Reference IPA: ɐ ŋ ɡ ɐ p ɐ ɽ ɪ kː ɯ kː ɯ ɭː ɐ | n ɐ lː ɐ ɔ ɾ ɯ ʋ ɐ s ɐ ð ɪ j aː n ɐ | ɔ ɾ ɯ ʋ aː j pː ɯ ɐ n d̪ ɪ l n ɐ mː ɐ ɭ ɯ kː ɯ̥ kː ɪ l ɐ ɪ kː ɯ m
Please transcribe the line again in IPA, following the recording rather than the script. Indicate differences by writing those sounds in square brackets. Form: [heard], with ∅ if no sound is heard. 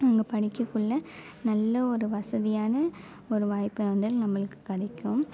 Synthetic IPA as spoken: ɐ ŋ ɡ ɐ p ɐ ɽ ɪ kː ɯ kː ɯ ɭː ɐ | n ɐ lː ɐ ɔ ɾ ɯ ʋ ɐ s ɐ ð ɪ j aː n ɐ | ɔ ɾ ɯ ʋ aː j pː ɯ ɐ n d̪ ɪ l n ɐ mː ɐ ɭ ɯ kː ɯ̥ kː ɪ [ɽ] ɐ ɪ kː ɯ m